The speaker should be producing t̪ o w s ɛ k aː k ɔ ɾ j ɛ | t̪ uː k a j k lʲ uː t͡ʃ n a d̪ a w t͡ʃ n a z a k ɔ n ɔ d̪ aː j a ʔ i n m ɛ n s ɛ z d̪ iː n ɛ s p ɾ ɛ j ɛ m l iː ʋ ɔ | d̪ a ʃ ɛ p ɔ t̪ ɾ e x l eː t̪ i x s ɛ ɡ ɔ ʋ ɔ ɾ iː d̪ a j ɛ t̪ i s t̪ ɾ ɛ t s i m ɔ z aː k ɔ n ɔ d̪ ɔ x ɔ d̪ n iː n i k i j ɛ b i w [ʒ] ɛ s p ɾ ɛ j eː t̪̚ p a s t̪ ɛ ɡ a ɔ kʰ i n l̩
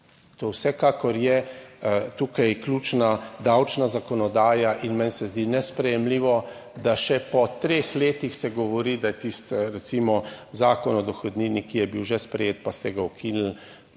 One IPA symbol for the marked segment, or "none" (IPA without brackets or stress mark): ʒ